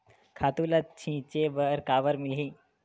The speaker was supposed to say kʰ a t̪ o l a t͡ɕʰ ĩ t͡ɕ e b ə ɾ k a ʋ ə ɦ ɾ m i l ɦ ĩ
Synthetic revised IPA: kʰ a t̪ u l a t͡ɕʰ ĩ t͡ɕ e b ə ɾ k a ʋ ə ɾ m i l ɦ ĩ